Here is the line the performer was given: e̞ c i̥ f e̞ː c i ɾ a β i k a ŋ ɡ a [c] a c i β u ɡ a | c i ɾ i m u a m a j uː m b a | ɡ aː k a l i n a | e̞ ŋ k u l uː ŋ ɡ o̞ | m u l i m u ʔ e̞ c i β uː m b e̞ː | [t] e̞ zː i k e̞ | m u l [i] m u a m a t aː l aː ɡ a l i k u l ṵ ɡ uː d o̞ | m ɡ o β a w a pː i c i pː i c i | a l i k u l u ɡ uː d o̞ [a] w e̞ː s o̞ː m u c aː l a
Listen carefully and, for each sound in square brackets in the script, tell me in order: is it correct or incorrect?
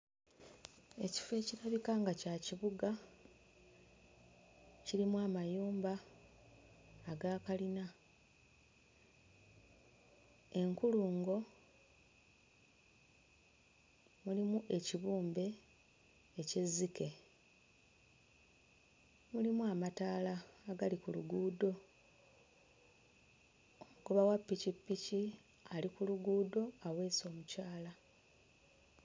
correct, incorrect, correct, correct

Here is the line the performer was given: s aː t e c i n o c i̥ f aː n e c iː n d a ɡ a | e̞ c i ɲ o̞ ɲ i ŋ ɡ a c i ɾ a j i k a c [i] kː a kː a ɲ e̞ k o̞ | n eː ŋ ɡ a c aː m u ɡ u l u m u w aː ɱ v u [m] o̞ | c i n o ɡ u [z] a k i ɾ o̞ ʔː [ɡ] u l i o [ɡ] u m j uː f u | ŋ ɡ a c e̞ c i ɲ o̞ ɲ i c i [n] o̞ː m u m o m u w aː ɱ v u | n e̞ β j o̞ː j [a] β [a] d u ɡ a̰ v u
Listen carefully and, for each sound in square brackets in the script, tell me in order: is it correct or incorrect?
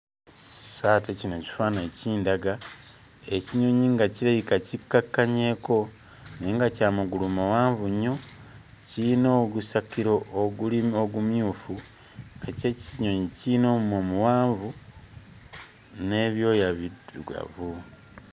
correct, incorrect, incorrect, correct, correct, correct, correct, incorrect

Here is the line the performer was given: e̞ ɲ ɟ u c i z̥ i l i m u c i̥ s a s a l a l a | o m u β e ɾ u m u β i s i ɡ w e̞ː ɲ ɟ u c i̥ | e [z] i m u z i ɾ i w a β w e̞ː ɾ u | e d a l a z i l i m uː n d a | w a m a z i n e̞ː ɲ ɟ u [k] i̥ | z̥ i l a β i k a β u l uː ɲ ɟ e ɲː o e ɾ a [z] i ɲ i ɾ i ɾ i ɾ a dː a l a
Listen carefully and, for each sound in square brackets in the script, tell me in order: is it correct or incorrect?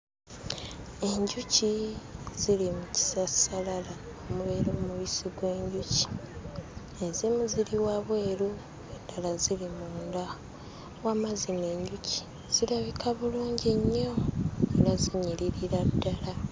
correct, incorrect, correct

